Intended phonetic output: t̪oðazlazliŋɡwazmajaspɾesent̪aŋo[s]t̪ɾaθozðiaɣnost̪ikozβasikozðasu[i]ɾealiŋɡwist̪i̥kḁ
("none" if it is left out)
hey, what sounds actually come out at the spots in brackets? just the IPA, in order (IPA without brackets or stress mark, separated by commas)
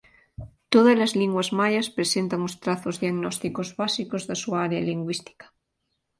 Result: s, a